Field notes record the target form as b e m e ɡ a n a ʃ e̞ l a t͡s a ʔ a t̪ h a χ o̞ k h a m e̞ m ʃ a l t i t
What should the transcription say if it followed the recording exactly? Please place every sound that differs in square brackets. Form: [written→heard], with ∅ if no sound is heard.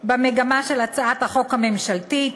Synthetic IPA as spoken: b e m e ɡ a [n→m] a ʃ e̞ l a t͡s a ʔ a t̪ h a χ o̞ k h a m e̞ m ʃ a l t i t